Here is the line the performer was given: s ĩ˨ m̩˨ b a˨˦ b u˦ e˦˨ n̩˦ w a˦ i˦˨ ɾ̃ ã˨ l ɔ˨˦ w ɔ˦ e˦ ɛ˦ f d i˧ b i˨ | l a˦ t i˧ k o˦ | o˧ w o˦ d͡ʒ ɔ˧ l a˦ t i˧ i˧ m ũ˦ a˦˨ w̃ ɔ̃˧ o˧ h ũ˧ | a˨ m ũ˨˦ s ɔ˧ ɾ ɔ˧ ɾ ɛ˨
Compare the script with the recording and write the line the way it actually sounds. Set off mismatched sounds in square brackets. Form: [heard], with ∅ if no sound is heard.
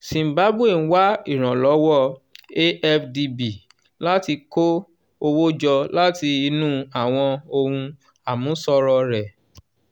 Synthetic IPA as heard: s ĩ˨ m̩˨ b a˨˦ b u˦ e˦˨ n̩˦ w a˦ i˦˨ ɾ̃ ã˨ l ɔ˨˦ w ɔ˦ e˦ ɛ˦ f d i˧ b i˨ | l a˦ t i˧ k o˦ | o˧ w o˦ d͡ʒ ɔ˧ l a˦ t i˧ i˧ [n] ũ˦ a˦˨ w̃ ɔ̃˧ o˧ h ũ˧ | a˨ m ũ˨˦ s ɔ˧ ɾ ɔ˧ ɾ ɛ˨